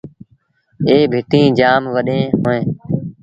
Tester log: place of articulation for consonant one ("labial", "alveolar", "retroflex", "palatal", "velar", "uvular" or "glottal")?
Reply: labial